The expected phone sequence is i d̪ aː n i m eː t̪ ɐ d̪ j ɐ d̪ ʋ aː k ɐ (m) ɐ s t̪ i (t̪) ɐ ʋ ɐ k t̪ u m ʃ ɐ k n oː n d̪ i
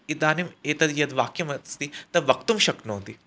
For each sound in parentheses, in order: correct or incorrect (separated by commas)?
correct, correct